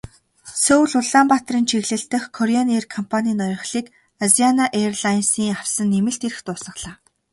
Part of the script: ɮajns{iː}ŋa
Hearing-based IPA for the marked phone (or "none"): iː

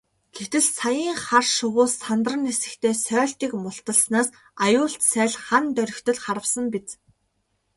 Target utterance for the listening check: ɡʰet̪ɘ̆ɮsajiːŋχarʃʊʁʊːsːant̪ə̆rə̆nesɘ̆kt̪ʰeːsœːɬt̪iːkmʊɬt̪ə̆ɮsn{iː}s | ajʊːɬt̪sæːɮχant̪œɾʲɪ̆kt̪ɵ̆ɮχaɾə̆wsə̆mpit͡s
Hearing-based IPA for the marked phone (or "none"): aː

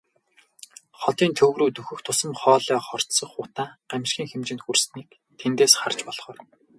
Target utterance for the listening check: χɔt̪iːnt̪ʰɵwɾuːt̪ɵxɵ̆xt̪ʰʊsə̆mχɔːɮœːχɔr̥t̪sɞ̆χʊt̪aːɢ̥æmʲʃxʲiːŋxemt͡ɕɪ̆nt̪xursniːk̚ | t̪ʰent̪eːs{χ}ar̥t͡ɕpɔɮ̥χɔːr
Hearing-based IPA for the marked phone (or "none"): χ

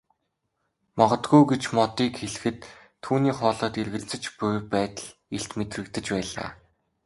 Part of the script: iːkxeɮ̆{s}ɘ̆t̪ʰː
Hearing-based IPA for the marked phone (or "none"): x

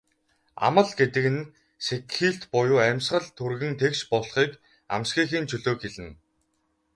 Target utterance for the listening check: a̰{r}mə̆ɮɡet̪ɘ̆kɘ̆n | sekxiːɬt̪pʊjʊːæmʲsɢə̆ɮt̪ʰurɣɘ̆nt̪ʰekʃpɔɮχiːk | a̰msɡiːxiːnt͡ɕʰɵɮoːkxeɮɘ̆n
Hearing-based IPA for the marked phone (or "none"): none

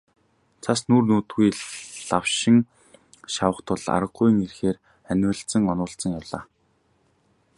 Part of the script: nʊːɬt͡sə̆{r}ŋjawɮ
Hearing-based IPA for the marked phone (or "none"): none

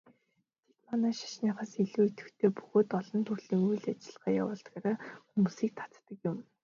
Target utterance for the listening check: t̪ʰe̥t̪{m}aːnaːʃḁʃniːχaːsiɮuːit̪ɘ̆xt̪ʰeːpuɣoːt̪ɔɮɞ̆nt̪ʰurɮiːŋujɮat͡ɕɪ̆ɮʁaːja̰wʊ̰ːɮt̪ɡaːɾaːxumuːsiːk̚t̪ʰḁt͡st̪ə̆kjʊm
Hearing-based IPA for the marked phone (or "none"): m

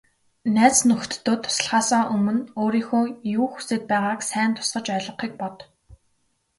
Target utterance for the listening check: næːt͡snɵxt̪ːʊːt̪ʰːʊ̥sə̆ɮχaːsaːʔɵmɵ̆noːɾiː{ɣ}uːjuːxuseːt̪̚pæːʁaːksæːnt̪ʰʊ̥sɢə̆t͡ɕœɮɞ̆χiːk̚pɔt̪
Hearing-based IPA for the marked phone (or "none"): x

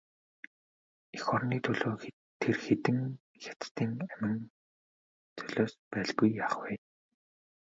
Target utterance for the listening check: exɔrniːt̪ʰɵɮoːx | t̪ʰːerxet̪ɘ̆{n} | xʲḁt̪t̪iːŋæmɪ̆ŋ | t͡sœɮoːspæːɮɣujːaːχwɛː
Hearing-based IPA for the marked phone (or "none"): ŋ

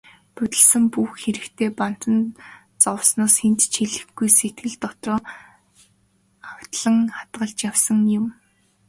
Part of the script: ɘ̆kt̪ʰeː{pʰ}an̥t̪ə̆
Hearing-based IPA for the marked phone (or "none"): p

